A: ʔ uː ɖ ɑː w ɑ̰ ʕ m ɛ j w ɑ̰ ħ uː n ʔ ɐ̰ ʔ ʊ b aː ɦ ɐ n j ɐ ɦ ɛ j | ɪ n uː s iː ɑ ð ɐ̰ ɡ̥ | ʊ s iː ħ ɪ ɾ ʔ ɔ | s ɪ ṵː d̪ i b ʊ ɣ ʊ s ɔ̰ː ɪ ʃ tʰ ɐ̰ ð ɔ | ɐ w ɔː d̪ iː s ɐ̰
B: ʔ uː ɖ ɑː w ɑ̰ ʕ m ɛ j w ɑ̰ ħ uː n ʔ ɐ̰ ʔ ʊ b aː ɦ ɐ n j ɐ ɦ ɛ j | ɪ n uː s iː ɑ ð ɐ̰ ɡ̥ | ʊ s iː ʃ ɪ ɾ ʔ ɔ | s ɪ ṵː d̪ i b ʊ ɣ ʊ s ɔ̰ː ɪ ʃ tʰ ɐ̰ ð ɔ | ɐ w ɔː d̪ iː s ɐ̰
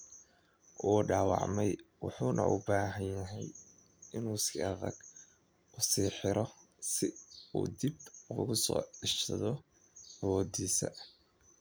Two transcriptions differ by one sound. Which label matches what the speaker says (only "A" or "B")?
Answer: A